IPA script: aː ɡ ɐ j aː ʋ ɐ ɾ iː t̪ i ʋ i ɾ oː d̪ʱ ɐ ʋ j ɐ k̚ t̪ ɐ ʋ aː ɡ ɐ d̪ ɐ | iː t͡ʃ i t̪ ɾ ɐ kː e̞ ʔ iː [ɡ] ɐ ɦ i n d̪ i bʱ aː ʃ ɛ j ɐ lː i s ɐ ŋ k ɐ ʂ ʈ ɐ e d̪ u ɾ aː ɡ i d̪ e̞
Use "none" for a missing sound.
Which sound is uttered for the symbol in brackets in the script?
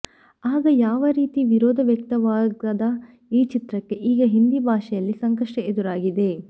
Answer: ɡ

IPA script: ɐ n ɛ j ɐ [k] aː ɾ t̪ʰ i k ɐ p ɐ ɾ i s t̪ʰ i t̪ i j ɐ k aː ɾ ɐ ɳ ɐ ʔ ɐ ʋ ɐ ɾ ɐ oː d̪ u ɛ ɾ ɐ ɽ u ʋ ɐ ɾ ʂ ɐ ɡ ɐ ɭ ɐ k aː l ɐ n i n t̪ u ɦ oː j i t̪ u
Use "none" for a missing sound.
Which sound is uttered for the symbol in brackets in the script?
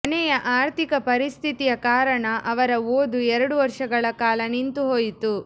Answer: ʔ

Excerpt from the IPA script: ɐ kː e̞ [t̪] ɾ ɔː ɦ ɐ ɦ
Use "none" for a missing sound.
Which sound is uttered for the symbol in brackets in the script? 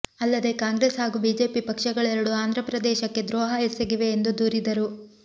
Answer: d̪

